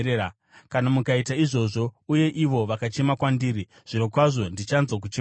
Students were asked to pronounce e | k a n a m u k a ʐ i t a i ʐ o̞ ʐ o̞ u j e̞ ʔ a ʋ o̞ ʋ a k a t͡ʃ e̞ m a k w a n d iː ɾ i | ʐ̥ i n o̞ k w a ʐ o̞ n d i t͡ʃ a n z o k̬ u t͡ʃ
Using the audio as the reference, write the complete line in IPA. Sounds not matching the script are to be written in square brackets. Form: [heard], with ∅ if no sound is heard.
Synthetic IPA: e | k a n a m u k a [∅] i t a i ʐ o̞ ʐ o̞ u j e̞ ʔ [i] ʋ o̞ ʋ a k a t͡ʃ e̞ m a k w a n d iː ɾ i | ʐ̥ i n o̞ k w a ʐ o̞ n d i t͡ʃ a n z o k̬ u t͡ʃ